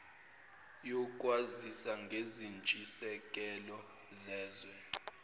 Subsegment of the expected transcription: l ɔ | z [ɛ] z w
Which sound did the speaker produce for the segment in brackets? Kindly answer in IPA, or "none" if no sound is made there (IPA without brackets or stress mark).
ɛː